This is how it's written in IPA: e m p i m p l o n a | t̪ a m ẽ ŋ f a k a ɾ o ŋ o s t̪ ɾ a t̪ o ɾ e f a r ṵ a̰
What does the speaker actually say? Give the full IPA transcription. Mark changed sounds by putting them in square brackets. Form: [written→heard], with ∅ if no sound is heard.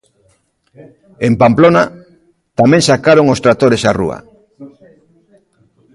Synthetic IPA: e m p [i→a] m p l o n a | t̪ a m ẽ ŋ [f→s] a k a ɾ o ŋ o s t̪ ɾ a t̪ o ɾ e [f→s] a r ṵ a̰